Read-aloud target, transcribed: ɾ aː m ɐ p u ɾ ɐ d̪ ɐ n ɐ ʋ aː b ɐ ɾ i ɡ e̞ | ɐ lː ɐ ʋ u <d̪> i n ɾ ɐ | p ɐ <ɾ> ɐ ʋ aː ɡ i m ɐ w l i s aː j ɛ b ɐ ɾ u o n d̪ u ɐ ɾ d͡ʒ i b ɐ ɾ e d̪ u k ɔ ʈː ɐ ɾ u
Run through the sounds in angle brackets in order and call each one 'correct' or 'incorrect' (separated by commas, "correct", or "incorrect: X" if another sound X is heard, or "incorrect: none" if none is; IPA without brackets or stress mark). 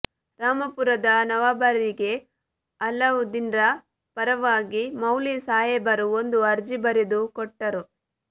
correct, correct